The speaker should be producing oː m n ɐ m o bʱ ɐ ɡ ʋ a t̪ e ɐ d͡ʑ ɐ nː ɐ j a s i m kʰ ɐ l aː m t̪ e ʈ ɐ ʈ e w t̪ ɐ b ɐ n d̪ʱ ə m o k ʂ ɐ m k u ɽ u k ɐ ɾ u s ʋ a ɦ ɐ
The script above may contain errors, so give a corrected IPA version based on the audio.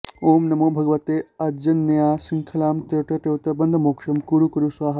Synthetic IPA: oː m n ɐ m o bʱ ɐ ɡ ʋ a t̪ e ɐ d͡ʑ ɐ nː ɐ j a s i ŋ kʰ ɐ l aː m t̪ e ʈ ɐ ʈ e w t̪ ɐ b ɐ n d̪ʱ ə m o k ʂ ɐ m k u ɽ u k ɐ ɾ u s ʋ a ɦ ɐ